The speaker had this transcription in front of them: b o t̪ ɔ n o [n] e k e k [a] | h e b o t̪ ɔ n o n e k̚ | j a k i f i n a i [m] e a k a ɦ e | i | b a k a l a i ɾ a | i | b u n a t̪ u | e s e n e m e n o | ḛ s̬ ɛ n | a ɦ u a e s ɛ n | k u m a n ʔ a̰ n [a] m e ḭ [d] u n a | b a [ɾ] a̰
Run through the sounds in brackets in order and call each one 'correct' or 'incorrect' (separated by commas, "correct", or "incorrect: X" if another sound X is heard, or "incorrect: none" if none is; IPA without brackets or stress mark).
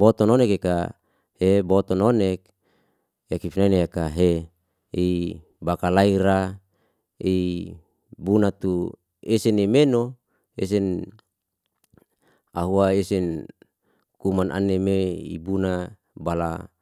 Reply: correct, correct, incorrect: n, incorrect: e, incorrect: b, incorrect: l